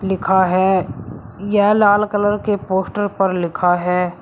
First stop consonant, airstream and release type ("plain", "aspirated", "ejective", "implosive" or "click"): aspirated